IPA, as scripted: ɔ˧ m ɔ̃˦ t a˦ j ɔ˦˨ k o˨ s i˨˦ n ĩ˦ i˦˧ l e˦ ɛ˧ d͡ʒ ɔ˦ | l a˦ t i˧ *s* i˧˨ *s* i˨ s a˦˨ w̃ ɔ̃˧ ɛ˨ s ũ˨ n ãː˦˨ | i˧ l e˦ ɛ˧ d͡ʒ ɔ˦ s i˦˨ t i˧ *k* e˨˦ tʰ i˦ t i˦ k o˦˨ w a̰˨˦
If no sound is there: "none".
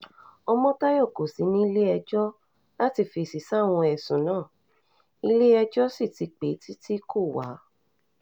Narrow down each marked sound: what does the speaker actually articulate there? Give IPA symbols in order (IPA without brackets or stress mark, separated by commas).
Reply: f, s, k͡p